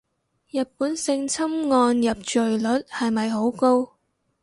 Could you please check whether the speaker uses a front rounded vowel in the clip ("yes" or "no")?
no